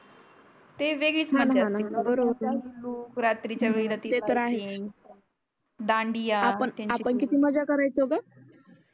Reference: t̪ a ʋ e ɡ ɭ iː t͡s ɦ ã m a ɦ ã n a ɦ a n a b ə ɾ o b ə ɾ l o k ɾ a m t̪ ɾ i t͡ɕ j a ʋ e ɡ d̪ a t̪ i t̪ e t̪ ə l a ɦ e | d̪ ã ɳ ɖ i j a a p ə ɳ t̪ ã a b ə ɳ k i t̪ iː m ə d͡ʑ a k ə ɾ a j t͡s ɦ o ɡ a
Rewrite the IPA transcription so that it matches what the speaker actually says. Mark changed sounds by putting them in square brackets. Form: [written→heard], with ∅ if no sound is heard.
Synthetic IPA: t̪ [a→e] ʋ e ɡ ɭ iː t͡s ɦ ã [m→n] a ɦ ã n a ɦ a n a b ə ɾ o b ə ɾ l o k ɾ a [m→∅] t̪ ɾ i t͡ɕ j a ʋ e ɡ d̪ a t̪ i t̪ e t̪ ə [l→ɾ] a ɦ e | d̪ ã ɳ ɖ i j a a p ə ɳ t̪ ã a [b→p] ə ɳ k i t̪ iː m ə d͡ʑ a k ə ɾ a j t͡s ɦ o ɡ a

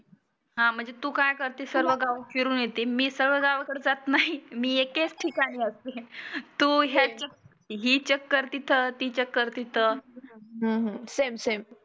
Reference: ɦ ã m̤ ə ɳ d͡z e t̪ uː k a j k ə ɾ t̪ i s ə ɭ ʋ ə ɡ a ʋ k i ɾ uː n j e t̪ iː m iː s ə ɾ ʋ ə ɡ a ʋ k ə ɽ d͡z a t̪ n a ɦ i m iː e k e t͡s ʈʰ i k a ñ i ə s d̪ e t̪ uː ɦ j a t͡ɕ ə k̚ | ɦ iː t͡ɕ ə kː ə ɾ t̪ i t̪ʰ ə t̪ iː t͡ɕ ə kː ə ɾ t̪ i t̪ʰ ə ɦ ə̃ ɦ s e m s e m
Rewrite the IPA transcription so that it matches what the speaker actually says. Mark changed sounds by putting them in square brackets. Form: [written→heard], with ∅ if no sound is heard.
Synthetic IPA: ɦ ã m̤ ə ɳ d͡z e t̪ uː k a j k ə ɾ t̪ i s ə [ɭ→ɾ] ʋ ə ɡ a ʋ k i ɾ uː n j e t̪ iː m iː s ə ɾ ʋ ə ɡ a ʋ k ə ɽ d͡z a t̪ n a ɦ i m iː e k e t͡s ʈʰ i k a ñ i ə s [d̪→t̪] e t̪ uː ɦ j a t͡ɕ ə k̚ | ɦ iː t͡ɕ ə kː ə ɾ t̪ i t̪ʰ ə t̪ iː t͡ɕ ə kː ə ɾ t̪ i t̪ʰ ə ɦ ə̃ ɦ s e m s e m

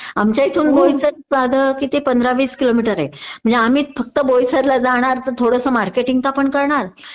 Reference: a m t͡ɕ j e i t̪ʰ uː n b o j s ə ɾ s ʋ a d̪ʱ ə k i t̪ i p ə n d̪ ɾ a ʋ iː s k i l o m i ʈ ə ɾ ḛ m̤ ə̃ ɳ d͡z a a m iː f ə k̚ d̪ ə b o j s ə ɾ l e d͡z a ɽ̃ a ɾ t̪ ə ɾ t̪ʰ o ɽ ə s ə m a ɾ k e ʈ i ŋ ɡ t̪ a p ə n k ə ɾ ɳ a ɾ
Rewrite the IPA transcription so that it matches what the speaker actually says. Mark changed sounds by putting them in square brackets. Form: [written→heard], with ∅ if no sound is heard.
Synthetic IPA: a m t͡ɕ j [e→a] i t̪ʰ uː n b o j s ə ɾ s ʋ a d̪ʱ ə k i t̪ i p ə n d̪ ɾ a ʋ iː s k i l o m i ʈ ə ɾ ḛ m̤ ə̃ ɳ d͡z [a→e] a m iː f ə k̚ [d̪→t̪] ə b o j s ə ɾ l [e→a] d͡z a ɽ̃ a ɾ t̪ ə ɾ t̪ʰ o ɽ ə s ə m a ɾ k e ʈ i ŋ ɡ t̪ a p ə [n→ɳ] k ə ɾ ɳ a ɾ

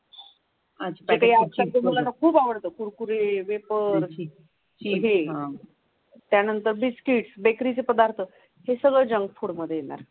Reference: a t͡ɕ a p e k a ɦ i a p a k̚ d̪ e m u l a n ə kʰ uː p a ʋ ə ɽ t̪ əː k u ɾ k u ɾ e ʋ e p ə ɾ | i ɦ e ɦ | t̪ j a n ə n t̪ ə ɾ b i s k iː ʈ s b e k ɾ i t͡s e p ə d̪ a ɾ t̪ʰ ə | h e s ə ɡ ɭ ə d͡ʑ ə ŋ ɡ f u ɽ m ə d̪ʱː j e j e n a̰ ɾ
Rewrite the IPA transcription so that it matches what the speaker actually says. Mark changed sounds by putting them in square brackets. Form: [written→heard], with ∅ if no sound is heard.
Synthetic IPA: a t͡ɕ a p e k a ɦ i a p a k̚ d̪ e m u l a n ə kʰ uː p a ʋ ə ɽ t̪ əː k u ɾ k u ɾ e ʋ e p ə ɾ | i ɦ e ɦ | t̪ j a n ə n t̪ ə ɾ b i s k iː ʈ s b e k ɾ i t͡s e p ə d̪ a ɾ t̪ʰ ə | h e s ə ɡ ɭ ə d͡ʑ ə ŋ ɡ f u ɽ m ə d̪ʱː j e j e n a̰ ɾ

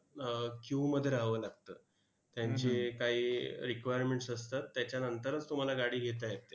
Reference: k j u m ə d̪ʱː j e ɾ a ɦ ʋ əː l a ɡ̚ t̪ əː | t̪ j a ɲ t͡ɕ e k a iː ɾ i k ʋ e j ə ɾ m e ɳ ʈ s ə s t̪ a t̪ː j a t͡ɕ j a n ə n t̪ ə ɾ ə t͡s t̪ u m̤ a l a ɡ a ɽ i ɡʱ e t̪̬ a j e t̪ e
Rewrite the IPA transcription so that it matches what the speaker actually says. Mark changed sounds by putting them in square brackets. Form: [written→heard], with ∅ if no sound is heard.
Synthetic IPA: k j u m ə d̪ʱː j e ɾ a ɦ ʋ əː l a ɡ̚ t̪ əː | t̪ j a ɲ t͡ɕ e k a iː ɾ i k ʋ [e→a] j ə ɾ m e ɳ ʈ s ə s t̪ a t̪ː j a t͡ɕ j a n ə n t̪ ə ɾ ə t͡s t̪ u m̤ a l a ɡ a ɽ [i→iː] ɡʱ e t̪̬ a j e t̪ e

